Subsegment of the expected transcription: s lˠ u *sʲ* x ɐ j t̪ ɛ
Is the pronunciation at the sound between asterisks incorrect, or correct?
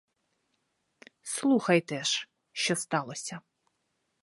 incorrect